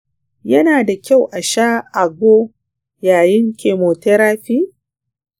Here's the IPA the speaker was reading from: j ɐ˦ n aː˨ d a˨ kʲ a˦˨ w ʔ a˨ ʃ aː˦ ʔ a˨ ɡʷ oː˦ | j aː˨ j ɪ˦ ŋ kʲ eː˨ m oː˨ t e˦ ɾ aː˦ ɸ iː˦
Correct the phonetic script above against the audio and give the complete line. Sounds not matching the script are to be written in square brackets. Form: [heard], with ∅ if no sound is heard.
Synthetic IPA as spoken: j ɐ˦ n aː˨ d a˨ kʲ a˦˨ w ʔ a˨ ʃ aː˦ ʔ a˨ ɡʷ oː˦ | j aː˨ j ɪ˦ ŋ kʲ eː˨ m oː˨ t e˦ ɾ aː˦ ɸ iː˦